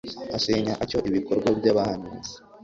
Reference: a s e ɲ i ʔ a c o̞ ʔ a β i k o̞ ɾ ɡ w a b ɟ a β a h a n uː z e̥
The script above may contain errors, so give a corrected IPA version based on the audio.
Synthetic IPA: a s e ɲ a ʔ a c o̞ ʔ i β i k o̞ ɾ ɡ w a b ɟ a β a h a n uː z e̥